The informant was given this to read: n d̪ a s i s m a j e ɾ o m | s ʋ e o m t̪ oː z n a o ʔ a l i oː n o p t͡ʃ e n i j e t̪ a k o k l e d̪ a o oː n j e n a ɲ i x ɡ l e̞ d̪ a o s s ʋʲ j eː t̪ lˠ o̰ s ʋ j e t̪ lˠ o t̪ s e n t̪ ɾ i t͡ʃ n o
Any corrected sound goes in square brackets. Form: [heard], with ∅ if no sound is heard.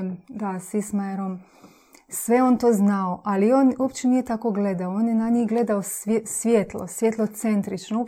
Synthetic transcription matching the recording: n d̪ a s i s m a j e ɾ o m | s ʋ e o [n] t̪ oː z n a o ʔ a l i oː n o p t͡ʃ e n i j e t̪ a k o [ɡ] l e d̪ a o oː n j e n a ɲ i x ɡ l e̞ d̪ a o s s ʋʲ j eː t̪ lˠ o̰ s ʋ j e t̪ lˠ o t̪ s e n t̪ ɾ i t͡ʃ n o